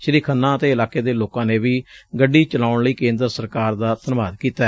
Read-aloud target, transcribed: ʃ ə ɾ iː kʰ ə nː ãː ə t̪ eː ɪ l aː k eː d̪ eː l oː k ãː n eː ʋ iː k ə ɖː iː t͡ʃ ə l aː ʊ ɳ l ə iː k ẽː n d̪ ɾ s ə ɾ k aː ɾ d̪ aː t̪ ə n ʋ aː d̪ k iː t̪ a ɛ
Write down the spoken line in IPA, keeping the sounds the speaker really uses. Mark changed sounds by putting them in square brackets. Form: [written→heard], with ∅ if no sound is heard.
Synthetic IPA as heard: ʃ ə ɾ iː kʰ ə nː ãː ə t̪ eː ɪ l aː k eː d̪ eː l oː k ãː n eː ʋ iː [k→ɡ] ə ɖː iː t͡ʃ ə l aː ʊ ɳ l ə iː k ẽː n d̪ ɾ s ə ɾ k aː ɾ d̪ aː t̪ ə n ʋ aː d̪ k iː t̪ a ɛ